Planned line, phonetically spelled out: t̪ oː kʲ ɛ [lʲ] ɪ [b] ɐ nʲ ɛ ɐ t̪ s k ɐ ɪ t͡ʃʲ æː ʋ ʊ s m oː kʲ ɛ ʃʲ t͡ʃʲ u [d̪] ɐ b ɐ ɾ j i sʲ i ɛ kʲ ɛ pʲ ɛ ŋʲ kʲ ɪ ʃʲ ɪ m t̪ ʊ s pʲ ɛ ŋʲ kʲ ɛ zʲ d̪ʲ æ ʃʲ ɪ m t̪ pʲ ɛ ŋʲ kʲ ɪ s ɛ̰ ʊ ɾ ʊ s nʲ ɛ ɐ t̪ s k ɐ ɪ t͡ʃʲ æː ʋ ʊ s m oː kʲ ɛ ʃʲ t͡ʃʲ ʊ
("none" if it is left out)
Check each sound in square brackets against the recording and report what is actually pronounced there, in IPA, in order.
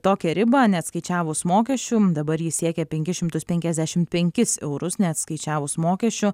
ɾʲ, b, d̪

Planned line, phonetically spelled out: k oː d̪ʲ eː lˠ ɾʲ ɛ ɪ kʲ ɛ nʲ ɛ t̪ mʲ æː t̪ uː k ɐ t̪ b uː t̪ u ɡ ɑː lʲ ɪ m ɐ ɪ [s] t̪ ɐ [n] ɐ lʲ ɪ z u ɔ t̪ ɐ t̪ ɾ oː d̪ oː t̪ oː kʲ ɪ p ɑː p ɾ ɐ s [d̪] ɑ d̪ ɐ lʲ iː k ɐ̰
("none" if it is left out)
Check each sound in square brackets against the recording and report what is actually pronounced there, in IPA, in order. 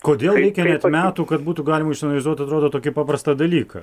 ʃ, n, t̪

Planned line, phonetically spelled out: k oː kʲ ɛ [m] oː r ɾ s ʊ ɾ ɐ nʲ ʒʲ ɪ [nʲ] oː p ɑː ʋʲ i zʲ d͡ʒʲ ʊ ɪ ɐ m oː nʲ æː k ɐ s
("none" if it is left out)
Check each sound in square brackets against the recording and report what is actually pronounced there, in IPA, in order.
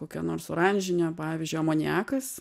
n, nʲ

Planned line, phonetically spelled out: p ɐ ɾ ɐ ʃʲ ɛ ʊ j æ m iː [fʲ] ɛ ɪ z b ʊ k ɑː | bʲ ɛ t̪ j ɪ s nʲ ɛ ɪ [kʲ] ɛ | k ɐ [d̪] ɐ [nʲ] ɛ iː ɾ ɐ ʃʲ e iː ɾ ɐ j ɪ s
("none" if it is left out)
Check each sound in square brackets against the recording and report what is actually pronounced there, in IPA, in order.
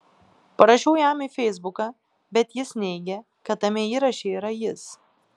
fʲ, ɡʲ, t̪, mʲ

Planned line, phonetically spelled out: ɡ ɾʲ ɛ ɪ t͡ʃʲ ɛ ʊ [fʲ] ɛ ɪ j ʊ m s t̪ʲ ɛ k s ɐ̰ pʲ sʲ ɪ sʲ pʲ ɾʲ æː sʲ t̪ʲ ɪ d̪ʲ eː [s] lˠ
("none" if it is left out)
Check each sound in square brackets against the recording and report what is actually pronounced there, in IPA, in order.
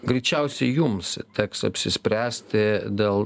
sʲ, none

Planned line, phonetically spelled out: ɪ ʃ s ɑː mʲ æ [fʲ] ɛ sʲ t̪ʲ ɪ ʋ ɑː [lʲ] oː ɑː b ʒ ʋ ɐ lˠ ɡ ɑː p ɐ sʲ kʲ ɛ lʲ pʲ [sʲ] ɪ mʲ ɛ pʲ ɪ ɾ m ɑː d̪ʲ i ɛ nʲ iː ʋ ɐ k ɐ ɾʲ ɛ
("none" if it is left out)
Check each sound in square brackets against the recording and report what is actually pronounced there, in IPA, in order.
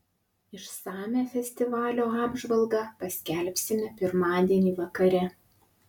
fʲ, lʲ, sʲ

